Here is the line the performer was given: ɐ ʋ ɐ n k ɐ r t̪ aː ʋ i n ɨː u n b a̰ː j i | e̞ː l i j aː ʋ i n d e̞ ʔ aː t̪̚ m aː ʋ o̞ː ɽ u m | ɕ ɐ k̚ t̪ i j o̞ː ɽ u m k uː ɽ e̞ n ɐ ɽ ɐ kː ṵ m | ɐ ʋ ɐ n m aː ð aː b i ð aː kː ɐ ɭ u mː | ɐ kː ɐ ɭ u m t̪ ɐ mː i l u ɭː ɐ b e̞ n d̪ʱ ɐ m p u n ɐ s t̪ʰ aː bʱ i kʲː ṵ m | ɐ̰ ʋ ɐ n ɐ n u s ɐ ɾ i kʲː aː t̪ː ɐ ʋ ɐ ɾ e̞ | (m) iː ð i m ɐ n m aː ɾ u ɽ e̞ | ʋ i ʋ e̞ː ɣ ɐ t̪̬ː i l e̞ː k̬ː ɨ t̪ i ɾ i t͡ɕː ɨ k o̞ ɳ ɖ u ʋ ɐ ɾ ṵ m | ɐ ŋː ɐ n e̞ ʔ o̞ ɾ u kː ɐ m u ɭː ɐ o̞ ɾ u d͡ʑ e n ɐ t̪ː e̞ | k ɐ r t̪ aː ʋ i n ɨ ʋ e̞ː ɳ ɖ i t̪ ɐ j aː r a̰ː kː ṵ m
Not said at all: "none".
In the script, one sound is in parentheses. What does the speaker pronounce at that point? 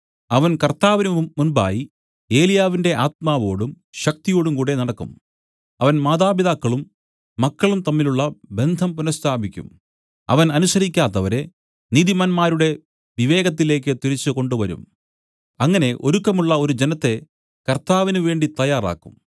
n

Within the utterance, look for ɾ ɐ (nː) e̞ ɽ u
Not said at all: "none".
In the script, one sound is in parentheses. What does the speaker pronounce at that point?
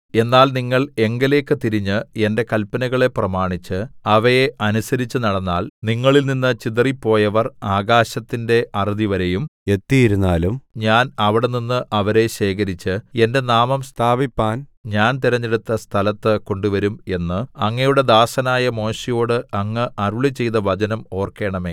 ɲː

